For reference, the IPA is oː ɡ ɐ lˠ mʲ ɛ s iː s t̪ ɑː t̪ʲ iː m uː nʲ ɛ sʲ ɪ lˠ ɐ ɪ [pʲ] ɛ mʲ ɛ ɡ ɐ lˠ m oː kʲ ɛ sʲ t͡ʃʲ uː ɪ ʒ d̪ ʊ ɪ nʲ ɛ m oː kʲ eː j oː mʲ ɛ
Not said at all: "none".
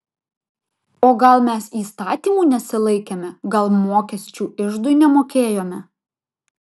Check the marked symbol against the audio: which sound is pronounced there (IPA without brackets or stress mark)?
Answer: kʲ